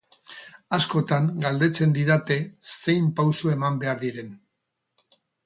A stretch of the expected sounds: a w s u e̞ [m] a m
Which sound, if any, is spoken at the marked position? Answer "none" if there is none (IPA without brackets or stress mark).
m